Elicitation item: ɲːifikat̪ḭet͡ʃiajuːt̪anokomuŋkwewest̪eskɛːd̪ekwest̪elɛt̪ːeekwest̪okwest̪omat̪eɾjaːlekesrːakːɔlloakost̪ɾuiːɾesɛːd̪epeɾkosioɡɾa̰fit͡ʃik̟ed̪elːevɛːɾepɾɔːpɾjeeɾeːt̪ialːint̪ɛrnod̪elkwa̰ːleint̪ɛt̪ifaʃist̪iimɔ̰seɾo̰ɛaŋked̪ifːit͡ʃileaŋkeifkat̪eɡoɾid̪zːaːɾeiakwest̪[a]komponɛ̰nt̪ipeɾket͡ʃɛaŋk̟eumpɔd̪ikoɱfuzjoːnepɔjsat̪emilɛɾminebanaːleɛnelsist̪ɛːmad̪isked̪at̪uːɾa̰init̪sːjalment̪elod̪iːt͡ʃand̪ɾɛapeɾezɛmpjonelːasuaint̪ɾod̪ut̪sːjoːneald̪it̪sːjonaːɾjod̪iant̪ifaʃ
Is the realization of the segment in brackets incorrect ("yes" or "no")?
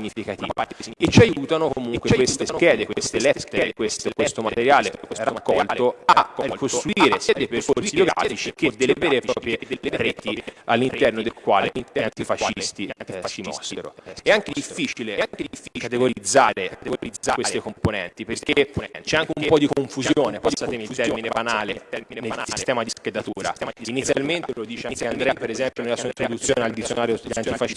yes